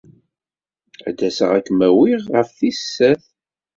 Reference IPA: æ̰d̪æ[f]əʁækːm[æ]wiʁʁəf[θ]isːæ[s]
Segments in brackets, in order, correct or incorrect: incorrect, correct, correct, incorrect

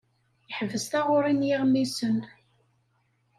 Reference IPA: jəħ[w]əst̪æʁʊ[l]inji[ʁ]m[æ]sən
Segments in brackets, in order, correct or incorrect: incorrect, incorrect, correct, incorrect

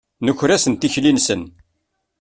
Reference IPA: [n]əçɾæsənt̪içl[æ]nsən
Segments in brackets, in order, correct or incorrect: correct, incorrect

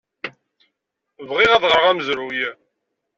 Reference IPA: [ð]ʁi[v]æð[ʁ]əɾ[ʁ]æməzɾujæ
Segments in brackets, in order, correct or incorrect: incorrect, incorrect, correct, correct

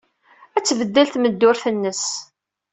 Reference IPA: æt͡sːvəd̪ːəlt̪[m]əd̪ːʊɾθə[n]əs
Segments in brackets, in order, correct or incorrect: correct, incorrect

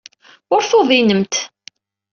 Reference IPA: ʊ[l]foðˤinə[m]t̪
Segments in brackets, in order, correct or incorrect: incorrect, correct

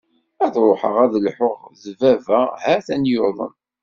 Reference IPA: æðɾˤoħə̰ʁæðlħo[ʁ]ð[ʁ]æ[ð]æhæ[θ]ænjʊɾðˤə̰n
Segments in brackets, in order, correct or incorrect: correct, incorrect, incorrect, correct

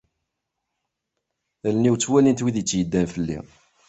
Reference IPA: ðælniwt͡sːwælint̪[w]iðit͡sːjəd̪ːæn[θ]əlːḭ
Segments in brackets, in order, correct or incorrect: correct, incorrect

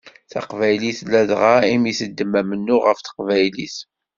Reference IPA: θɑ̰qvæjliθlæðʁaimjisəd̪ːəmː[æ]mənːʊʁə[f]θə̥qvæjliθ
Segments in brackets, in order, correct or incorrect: correct, correct

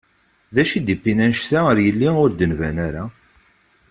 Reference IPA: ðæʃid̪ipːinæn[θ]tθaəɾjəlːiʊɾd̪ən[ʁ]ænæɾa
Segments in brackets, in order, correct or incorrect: incorrect, incorrect

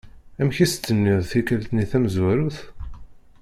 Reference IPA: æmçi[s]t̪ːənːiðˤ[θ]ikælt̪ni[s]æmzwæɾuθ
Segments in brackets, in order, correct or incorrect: correct, correct, incorrect

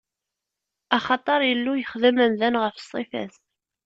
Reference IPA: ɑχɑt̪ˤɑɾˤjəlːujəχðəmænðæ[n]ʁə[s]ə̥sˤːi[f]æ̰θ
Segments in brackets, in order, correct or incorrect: correct, incorrect, correct

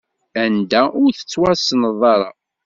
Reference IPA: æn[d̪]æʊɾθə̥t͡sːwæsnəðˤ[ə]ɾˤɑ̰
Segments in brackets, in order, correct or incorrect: correct, incorrect

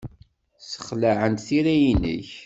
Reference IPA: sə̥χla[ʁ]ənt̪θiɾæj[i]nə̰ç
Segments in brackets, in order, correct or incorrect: incorrect, correct

